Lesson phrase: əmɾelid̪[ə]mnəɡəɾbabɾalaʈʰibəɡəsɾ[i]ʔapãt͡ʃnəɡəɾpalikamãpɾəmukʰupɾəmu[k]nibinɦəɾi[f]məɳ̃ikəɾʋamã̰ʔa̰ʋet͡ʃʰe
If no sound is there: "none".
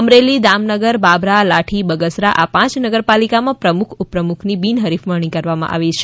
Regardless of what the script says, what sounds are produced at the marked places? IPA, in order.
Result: a, a, kʰ, f

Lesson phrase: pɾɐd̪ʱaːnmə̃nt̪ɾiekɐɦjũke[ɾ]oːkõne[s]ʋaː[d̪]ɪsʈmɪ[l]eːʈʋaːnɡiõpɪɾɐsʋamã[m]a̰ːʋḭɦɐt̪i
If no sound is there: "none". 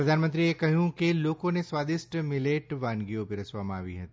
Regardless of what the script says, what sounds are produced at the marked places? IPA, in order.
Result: l, s, d̪, l, none

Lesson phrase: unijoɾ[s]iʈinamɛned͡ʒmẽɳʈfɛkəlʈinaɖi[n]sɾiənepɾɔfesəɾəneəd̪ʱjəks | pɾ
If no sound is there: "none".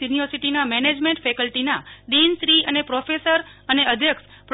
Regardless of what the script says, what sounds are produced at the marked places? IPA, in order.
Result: s, n

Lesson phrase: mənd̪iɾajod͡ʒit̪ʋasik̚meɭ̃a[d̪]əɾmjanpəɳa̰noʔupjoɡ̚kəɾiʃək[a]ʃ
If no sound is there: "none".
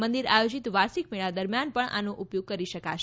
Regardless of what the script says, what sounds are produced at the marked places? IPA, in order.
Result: d̪, a

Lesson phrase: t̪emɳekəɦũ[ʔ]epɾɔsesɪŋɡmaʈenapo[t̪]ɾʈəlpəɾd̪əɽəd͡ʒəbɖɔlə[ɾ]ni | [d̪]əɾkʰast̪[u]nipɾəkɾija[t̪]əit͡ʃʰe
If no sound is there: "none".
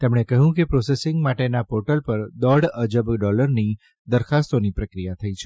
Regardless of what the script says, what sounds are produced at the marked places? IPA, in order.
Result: k, none, ɾ, d̪, o, t̪ʰ

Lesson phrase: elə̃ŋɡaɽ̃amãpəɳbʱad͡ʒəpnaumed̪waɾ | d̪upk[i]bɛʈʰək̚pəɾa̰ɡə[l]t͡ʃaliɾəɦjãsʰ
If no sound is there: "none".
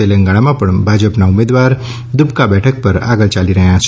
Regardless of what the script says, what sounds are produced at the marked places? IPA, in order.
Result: a, l

